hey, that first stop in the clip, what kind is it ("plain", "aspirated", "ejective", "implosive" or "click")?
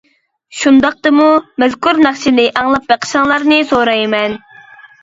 plain